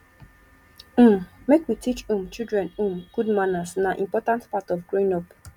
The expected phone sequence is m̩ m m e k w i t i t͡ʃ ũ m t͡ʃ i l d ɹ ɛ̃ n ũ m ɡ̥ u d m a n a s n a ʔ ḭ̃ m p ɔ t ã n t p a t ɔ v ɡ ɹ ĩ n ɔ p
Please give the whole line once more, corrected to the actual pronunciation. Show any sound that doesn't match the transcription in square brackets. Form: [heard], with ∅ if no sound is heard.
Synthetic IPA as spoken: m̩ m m e k w i t i t͡ʃ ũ m t͡ʃ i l d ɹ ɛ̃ n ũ m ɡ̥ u d m a n a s n a ʔ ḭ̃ m p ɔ t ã n t p a t ɔ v ɡ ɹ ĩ n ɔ p